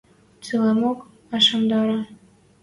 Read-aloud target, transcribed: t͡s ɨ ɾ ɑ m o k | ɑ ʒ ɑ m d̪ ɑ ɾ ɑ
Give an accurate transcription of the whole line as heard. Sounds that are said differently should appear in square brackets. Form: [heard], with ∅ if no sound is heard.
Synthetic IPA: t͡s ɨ [l] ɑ m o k | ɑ [ʃ] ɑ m d̪ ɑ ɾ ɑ